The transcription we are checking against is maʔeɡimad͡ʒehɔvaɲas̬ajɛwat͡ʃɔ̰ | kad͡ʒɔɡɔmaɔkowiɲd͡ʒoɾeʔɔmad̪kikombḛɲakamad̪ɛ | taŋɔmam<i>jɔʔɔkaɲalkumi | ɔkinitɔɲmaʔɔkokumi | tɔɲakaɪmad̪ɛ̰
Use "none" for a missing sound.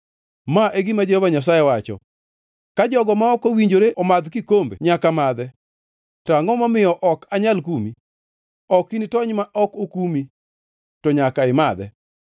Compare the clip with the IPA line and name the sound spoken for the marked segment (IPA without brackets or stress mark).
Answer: ɪ